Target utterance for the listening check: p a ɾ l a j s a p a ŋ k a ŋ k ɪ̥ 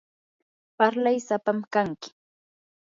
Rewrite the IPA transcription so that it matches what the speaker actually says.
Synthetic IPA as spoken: p a ɾ l a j s a p a m k a ŋ k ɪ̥